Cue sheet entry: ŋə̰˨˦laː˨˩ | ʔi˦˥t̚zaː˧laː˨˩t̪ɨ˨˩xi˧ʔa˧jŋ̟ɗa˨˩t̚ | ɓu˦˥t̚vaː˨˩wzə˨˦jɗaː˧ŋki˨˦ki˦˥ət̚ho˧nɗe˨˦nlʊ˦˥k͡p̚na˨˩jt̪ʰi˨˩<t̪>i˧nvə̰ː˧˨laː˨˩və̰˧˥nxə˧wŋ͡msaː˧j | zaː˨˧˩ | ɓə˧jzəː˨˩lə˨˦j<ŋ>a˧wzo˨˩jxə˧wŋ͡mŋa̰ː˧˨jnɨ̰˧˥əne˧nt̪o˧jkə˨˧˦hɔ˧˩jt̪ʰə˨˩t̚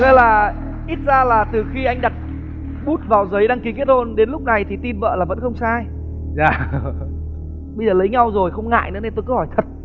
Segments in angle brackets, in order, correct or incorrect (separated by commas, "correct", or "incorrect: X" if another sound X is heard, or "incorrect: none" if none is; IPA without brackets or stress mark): correct, incorrect: ɲ